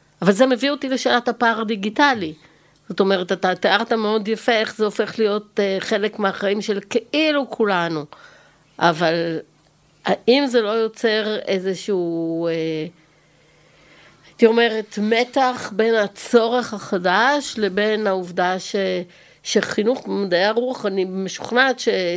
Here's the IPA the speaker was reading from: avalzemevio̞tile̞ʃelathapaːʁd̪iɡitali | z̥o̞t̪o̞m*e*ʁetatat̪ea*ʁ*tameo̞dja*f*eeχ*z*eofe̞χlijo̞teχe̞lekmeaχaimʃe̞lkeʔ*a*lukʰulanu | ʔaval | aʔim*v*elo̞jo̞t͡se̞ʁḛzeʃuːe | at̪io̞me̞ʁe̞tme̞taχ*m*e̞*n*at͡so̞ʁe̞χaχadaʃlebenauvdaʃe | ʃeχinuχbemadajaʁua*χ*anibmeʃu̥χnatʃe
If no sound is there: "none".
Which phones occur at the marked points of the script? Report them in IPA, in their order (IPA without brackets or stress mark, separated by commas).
e, ʁ, f, z, i, z, b, n, χ